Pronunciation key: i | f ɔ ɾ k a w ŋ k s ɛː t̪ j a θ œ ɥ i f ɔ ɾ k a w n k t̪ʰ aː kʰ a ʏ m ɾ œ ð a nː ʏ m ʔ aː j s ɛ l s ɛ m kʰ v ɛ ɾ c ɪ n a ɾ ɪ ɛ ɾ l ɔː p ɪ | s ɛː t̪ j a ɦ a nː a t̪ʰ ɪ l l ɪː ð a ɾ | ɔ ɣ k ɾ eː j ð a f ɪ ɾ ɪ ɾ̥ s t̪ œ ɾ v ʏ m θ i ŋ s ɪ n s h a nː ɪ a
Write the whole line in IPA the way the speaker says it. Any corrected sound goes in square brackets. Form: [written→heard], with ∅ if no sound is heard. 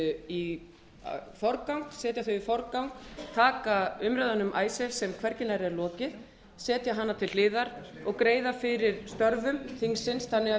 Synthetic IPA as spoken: i | f ɔ ɾ k a w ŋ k s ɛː t̪ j a θ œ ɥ i f ɔ ɾ k a w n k t̪ʰ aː [kʰ→k] a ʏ m ɾ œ ð a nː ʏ m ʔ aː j s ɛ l s ɛ m kʰ v ɛ ɾ c ɪ n a ɾ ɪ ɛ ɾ l ɔː [p→c] ɪ | s ɛː t̪ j a ɦ a nː a t̪ʰ ɪ l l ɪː ð a ɾ | ɔ ɣ k ɾ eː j ð a f ɪ ɾ ɪ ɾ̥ s t̪ œ ɾ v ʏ m θ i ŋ s ɪ n s [h→θ] a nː ɪ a